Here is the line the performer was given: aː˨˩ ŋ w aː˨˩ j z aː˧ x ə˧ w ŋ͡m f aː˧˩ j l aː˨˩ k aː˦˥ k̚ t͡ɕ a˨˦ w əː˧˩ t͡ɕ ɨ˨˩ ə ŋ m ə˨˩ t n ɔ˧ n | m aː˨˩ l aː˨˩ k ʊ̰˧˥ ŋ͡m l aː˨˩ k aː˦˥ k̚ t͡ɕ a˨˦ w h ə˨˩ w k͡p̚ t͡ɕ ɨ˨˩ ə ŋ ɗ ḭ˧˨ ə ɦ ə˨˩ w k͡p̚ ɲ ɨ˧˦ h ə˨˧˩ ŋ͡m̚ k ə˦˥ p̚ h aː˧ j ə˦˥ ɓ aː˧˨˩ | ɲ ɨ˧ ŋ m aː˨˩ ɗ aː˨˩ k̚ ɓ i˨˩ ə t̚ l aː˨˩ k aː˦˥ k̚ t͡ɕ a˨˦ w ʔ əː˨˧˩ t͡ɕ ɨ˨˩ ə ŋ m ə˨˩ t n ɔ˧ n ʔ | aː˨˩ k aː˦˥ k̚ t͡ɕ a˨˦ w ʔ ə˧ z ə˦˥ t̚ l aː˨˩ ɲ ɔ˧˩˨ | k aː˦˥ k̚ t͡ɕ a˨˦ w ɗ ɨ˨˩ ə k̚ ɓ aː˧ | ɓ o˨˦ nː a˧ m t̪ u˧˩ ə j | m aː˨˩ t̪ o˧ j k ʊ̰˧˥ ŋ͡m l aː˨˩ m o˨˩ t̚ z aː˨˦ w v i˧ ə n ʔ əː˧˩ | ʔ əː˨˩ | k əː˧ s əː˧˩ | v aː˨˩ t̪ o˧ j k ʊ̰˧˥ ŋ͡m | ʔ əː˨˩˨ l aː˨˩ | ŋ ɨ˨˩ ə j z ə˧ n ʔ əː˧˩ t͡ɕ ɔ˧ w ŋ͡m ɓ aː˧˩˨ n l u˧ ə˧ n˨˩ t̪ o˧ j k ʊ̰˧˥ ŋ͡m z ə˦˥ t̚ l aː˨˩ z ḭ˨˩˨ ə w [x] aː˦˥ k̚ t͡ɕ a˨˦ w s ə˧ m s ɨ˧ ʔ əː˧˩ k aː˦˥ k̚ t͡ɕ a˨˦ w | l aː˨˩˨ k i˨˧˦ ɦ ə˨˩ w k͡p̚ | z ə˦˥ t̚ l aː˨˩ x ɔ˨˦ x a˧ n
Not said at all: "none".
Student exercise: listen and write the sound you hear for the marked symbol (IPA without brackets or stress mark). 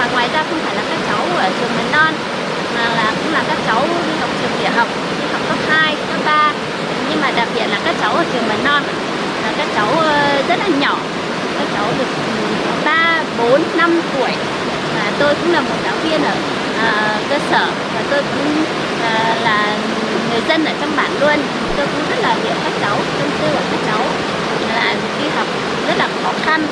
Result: k